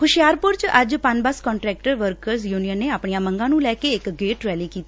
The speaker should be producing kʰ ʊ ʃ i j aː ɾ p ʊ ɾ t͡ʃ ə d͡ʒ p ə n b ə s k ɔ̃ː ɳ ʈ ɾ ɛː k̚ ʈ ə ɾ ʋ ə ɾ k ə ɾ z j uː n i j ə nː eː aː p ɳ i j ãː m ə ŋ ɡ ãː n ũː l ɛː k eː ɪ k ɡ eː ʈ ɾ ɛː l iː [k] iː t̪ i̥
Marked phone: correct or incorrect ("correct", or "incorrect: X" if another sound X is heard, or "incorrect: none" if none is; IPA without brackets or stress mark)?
correct